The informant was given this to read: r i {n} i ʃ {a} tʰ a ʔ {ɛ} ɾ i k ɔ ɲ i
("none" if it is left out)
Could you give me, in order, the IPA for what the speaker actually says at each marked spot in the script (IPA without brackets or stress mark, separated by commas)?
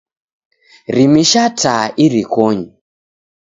m, a, i